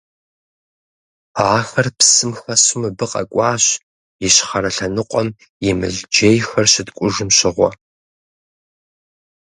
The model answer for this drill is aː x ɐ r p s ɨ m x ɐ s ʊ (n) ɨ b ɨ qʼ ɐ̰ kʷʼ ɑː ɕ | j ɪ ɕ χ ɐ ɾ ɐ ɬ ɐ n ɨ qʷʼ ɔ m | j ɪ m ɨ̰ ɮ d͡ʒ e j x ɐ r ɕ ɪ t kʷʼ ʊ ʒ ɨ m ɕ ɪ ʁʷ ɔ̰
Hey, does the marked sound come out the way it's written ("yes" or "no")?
no